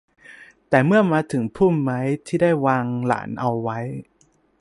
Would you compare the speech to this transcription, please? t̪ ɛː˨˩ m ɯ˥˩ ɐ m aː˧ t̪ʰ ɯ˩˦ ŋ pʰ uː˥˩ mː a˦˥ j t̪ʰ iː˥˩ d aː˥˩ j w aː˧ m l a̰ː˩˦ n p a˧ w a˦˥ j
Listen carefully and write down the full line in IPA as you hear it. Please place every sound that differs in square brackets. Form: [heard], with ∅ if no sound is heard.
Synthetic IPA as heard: t̪ ɛː˨˩ m ɯ˥˩ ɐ m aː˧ t̪ʰ ɯ˩˦ ŋ pʰ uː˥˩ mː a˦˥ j t̪ʰ iː˥˩ d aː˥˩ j w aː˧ [ŋ] l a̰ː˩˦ n [ʔ] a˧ [wː] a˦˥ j